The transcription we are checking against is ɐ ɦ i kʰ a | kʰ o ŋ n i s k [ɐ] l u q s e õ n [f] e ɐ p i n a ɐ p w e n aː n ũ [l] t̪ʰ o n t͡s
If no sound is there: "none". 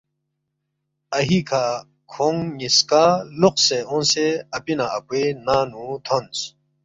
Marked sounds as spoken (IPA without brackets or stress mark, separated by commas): a, s, none